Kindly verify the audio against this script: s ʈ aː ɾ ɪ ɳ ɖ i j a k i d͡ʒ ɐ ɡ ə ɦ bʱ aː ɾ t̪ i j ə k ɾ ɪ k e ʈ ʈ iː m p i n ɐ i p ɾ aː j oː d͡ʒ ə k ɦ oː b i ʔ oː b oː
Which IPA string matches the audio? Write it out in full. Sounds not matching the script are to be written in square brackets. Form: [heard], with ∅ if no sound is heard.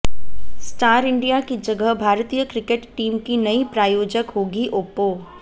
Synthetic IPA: s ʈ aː ɾ ɪ ɳ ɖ i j a k i d͡ʒ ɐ ɡ ə ɦ bʱ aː ɾ t̪ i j ə k ɾ ɪ k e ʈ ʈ iː m [k] i n ɐ i p ɾ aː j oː d͡ʒ ə k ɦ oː [ɡ] i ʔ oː [p] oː